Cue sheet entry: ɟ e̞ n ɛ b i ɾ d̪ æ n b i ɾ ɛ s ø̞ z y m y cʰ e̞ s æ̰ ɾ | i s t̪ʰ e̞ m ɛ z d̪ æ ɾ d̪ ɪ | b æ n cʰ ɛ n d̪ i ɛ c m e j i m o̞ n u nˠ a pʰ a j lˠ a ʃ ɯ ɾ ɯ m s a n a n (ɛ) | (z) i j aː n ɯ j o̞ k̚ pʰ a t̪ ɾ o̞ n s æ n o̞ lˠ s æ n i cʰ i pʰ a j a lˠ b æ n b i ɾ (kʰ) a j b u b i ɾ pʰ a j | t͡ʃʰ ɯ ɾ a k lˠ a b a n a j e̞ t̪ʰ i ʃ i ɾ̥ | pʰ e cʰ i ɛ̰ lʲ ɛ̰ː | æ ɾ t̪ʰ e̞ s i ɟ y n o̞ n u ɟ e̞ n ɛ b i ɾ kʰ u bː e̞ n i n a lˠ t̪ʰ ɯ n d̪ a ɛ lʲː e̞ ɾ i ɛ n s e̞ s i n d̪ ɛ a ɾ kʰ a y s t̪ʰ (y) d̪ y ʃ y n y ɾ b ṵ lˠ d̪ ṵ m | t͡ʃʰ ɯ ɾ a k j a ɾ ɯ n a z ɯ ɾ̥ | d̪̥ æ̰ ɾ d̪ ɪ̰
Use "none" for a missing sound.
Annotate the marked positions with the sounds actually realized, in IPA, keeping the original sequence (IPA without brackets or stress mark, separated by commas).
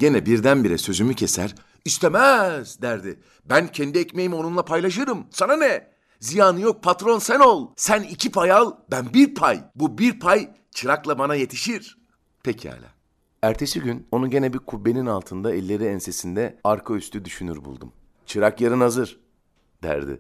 ɛ, z, pʰ, y